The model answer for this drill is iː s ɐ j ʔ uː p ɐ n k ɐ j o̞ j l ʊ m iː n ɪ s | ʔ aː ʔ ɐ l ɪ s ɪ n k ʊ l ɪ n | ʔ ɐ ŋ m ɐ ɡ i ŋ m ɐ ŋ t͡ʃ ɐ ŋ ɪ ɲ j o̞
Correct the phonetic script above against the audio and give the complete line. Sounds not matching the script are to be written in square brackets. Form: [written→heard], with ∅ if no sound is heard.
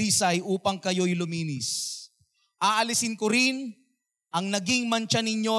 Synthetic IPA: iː s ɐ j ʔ uː p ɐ [n→ŋ] k ɐ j o̞ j l ʊ m iː n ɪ s | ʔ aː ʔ ɐ l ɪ s ɪ n k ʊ [l→ɾ] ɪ n | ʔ ɐ ŋ [m→n] ɐ ɡ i ŋ m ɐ [ŋ→n] t͡ʃ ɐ [ŋ→n] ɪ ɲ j o̞